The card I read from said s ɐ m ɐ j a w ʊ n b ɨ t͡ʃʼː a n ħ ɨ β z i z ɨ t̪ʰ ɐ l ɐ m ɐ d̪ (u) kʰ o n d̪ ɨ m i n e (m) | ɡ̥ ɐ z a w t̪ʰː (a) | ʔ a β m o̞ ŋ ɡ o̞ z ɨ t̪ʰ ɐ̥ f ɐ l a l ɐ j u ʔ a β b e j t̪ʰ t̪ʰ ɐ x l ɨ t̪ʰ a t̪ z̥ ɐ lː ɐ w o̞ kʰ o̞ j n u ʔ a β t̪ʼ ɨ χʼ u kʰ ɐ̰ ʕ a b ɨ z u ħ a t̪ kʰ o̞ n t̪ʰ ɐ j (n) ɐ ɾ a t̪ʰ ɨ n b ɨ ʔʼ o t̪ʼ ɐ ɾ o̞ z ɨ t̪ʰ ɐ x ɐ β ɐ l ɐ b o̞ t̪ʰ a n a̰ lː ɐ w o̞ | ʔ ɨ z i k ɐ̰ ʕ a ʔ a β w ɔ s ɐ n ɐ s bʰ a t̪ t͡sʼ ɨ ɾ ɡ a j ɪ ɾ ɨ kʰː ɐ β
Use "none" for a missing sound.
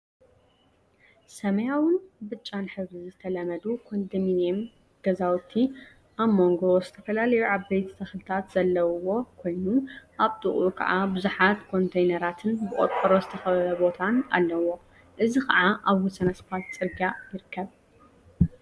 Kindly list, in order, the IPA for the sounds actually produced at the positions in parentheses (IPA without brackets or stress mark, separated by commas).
u, m, i, n